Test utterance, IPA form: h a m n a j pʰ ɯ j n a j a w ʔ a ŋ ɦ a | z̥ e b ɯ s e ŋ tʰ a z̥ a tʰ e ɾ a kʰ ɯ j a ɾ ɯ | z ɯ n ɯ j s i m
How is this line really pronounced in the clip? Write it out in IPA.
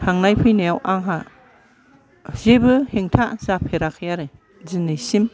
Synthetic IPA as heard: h a ŋ n a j pʰ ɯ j n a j a w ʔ a ŋ ɦ a | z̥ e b ɯ h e ŋ tʰ a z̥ a pʰ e ɾ a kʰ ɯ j a ɾ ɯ | z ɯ n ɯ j s i m